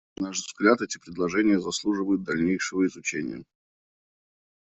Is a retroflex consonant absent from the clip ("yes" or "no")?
no